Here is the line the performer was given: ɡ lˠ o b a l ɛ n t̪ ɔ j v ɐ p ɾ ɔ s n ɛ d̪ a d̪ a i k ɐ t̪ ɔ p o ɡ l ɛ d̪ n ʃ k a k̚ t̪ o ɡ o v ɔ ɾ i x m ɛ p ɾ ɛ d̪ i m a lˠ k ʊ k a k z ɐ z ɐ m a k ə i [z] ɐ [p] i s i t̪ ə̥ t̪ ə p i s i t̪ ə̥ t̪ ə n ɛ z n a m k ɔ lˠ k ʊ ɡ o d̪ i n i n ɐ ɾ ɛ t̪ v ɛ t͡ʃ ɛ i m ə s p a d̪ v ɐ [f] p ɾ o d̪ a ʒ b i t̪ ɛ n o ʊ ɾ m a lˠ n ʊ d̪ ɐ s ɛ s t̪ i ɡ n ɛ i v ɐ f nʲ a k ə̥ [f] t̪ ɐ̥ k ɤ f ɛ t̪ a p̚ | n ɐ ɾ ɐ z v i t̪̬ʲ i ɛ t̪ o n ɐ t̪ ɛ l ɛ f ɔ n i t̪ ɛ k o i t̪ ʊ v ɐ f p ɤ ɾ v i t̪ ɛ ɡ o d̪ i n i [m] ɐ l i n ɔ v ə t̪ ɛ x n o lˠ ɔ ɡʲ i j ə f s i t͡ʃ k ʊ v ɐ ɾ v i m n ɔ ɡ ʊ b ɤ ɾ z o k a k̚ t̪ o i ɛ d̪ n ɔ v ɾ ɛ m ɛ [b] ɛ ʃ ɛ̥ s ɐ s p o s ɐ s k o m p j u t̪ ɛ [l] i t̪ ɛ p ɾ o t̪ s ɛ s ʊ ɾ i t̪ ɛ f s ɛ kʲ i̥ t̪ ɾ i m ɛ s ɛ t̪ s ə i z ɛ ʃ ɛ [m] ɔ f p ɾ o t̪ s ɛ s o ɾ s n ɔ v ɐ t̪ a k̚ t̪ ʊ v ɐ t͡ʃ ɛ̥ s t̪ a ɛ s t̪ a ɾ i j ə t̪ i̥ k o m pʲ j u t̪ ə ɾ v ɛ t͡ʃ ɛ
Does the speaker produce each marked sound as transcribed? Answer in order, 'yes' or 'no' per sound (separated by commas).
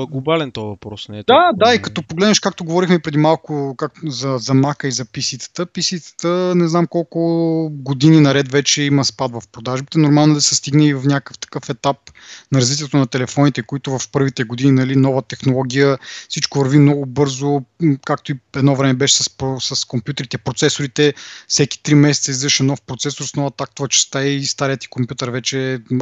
yes, yes, yes, yes, no, yes, no, no